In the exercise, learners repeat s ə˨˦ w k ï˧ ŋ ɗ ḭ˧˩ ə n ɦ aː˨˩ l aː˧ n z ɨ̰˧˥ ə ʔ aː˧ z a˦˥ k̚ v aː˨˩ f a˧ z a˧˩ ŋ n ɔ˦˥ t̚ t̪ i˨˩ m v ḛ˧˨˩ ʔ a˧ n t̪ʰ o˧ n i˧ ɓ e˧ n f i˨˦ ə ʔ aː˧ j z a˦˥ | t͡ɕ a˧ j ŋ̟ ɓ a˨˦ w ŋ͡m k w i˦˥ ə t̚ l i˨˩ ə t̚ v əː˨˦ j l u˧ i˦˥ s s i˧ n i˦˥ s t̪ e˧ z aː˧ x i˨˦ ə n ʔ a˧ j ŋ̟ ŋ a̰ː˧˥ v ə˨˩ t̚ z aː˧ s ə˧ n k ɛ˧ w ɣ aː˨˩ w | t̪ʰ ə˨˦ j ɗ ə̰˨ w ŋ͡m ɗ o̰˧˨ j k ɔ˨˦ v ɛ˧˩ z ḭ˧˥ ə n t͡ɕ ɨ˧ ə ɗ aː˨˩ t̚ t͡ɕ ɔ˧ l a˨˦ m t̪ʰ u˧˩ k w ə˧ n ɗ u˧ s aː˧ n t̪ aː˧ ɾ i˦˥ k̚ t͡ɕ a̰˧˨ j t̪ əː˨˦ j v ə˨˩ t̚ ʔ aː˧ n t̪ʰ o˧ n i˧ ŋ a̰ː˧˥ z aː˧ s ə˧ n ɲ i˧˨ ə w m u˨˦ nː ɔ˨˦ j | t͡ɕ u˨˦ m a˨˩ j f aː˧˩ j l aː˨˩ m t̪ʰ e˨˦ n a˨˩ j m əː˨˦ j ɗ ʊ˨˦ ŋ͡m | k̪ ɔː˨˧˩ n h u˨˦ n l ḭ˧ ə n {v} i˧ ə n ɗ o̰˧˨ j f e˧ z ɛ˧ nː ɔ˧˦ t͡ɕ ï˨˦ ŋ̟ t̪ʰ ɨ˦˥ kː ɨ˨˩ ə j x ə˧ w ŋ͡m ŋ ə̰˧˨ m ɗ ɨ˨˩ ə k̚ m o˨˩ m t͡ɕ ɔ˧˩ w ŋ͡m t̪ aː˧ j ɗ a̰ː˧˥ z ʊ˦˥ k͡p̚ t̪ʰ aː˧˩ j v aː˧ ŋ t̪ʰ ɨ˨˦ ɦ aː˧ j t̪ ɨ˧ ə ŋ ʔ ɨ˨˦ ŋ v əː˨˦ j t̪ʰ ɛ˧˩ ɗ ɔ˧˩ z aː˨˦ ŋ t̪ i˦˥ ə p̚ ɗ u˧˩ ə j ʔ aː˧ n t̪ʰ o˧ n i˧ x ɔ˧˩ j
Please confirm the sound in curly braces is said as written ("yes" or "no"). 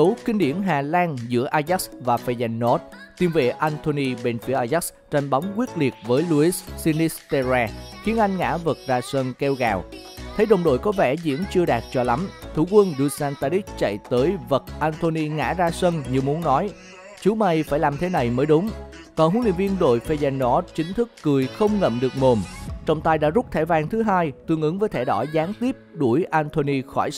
yes